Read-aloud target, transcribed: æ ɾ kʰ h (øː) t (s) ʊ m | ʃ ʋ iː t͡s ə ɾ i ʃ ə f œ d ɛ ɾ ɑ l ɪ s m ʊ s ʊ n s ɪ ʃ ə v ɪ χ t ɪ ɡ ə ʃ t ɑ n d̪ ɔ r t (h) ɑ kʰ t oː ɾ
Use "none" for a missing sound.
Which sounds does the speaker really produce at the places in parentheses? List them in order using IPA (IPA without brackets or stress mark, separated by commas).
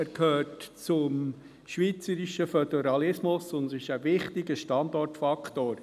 øː, t͡s, f